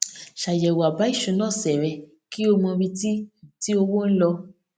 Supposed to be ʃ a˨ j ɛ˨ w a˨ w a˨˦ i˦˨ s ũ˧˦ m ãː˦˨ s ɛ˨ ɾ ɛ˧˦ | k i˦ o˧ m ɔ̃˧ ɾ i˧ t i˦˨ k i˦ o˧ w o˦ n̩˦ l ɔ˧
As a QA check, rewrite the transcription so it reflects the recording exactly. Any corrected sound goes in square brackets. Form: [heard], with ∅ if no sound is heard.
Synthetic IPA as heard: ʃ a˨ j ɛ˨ w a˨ [b] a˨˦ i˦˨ [ʃ] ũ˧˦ [n] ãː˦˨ s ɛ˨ ɾ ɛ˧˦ | k i˦ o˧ m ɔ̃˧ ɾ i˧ t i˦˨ [t] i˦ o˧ w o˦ n̩˦ l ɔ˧